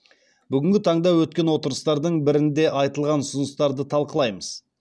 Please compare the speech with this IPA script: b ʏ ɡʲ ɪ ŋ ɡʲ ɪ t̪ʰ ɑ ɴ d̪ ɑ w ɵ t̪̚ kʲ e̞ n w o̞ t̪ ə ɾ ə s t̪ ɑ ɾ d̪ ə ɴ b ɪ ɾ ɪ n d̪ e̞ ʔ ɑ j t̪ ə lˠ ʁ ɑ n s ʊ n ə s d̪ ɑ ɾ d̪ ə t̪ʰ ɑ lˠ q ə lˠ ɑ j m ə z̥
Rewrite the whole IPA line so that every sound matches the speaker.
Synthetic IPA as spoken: b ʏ ɡʲ ɪ ŋ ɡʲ ɪ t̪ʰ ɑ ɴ d̪ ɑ w ɵ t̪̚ kʲ e̞ n w o̞ t̪ ə ɾ ə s t̪ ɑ ɾ d̪ ə ɴ b ɪ ɾ ɪ n d̪ e̞ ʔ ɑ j t̪ ə lˠ ʁ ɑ n s ʊ n ə s t̪ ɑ ɾ d̪ ə t̪ʰ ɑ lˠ q ə lˠ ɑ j m ə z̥